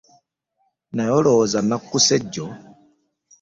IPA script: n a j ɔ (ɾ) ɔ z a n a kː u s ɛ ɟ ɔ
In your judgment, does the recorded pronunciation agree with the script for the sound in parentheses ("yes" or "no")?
no